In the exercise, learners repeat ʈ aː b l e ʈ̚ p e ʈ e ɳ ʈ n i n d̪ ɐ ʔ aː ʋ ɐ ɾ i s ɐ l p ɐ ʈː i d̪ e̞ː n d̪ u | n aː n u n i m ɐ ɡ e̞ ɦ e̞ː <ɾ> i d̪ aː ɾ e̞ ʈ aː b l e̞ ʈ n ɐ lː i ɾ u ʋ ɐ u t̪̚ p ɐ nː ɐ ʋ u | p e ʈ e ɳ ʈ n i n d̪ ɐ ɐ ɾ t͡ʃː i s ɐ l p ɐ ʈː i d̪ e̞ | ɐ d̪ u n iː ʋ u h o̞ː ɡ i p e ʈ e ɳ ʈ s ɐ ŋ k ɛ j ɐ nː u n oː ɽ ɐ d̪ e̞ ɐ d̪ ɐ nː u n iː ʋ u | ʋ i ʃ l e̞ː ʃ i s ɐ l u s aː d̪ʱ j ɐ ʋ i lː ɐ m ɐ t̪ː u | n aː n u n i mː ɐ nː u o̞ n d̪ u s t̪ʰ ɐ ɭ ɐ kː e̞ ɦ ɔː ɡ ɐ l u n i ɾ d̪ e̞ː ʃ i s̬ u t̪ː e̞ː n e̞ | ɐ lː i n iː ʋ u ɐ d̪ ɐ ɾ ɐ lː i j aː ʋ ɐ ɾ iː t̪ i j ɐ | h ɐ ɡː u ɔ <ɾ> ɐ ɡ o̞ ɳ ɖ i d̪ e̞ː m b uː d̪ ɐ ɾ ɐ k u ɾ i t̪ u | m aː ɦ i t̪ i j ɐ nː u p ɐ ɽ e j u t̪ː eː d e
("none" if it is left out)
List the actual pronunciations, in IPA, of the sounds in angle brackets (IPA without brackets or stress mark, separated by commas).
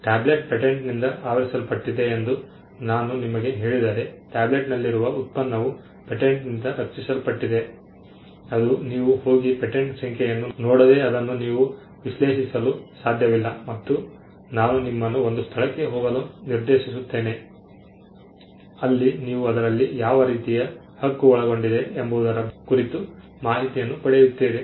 ɭ, ɭ